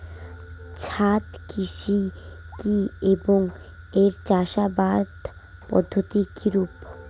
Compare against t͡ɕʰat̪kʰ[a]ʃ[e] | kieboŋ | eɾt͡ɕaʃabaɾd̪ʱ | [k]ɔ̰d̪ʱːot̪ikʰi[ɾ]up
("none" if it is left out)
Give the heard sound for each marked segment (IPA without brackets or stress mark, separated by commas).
i, i, p, ɾ